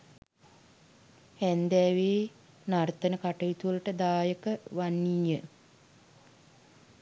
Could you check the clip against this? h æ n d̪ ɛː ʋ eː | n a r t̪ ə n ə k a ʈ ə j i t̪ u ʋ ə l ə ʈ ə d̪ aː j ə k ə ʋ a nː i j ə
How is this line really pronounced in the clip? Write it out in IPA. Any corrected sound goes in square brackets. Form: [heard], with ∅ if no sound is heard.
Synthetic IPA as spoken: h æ n d̪ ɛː ʋ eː | n a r t̪ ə n ə k a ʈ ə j i t̪ u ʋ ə l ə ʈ ə d̪ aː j ə k ə ʋ a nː i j ə